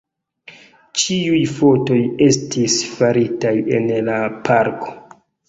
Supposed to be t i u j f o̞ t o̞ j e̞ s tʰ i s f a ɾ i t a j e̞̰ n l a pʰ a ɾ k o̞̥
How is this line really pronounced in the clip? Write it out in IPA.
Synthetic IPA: t͡ʃ i u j f o̞ t o̞ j e̞ s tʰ i s f a ɾ i t a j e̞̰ n l a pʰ a ɾ k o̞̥